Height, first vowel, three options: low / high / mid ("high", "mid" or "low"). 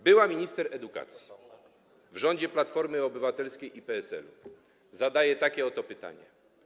mid